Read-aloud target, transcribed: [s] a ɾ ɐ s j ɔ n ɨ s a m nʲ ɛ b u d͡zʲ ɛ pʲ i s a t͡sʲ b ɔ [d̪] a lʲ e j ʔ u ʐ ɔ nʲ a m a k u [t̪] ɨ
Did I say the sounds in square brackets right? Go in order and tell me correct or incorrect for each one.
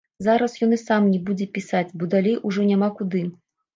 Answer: incorrect: z, correct, incorrect: d̪

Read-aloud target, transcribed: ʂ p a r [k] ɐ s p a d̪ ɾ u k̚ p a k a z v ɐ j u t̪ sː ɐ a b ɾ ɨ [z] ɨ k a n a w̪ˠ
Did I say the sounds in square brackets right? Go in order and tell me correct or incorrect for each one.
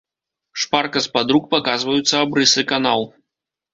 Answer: correct, incorrect: s

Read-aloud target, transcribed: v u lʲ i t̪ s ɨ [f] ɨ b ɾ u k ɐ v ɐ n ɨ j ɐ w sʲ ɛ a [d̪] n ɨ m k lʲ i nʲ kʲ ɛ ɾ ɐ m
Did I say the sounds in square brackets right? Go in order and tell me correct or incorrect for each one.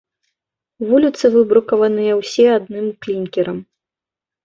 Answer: incorrect: v, correct

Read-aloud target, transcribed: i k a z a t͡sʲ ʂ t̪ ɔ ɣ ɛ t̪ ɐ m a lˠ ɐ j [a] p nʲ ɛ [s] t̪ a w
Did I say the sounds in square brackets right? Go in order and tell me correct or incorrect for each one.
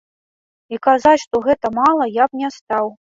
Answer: correct, correct

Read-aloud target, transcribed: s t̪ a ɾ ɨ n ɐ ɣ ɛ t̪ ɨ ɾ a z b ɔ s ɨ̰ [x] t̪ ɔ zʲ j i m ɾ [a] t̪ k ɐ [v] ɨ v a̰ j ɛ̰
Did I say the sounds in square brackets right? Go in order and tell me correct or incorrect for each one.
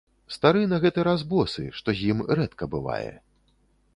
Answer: incorrect: ʂ, incorrect: ɛ, incorrect: b

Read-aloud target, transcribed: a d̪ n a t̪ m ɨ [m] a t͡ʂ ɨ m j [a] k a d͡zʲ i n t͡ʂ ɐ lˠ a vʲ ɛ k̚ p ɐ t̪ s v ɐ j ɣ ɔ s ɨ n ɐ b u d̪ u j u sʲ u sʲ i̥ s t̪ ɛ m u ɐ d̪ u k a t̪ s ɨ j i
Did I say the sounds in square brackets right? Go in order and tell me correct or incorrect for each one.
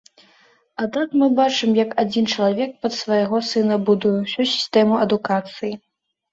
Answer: incorrect: b, incorrect: ɐ

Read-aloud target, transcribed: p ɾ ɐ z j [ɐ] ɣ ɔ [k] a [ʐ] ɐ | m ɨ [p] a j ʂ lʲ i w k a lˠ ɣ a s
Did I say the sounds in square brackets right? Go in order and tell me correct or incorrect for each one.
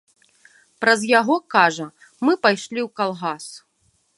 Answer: incorrect: a, correct, correct, correct

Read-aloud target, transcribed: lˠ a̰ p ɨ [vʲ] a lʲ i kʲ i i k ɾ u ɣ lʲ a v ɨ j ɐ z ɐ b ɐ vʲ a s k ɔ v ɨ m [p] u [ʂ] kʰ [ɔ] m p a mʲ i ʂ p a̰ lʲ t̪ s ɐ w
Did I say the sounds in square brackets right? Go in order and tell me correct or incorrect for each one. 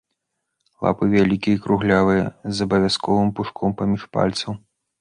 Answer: correct, correct, correct, correct

